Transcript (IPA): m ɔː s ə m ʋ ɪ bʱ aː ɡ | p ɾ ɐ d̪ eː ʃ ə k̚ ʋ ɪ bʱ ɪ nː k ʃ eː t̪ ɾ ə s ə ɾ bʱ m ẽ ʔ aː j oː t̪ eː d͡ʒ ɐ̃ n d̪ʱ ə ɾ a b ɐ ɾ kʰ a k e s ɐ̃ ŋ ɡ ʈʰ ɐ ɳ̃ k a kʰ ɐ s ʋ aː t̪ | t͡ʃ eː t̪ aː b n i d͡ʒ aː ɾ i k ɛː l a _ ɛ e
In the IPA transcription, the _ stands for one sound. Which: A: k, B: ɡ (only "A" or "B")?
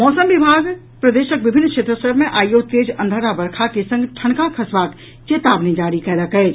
A